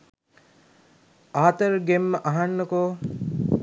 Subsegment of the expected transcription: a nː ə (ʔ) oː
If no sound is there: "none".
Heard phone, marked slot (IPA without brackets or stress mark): k